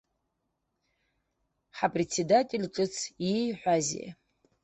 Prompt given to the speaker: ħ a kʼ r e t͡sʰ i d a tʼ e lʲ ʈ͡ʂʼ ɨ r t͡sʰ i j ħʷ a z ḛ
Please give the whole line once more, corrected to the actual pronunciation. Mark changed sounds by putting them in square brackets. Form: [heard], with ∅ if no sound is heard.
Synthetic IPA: ħ a [pʼ] r e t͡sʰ [e] d a tʼ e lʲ ʈ͡ʂʼ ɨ [∅] t͡sʰ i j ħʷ a z ḛ